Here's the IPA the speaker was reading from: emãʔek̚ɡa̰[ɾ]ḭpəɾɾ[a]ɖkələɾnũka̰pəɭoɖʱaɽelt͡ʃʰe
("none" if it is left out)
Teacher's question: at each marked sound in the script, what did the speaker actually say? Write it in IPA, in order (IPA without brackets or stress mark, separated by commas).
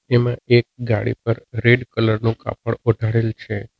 ɽ, e